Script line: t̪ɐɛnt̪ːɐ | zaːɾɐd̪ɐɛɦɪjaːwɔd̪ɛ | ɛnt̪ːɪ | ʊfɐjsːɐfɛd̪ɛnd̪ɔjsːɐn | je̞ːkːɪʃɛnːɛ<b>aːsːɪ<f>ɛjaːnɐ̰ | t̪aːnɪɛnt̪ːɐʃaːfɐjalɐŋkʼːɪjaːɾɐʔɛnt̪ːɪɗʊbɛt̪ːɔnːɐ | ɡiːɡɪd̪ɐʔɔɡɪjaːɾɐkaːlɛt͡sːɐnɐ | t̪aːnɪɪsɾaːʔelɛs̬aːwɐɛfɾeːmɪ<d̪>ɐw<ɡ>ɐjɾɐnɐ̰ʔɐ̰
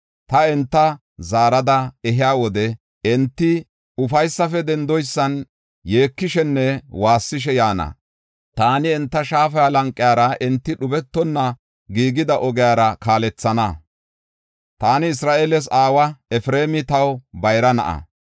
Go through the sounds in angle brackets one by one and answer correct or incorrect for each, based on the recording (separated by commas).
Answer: incorrect, incorrect, incorrect, incorrect